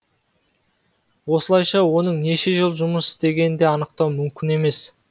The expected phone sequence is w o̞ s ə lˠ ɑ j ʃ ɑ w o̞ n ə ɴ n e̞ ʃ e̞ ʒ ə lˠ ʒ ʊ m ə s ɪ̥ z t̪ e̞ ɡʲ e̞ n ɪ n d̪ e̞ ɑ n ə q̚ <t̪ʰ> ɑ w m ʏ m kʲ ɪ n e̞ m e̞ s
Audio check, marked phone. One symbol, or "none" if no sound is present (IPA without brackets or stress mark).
t̪